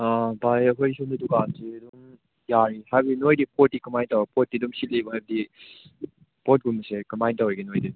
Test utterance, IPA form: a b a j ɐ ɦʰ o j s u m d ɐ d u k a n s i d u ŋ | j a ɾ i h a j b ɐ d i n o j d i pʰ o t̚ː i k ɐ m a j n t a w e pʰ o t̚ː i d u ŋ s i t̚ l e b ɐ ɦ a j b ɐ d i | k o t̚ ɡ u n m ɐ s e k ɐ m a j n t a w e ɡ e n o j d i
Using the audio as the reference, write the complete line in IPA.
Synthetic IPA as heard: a b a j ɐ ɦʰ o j s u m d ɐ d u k a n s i d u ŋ | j a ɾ i h a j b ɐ d i n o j d i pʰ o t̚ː i k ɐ m a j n t a w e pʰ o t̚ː i d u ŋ s i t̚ l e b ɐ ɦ a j b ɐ d i | p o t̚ ɡ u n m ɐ s e k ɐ m a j n t a w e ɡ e n o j d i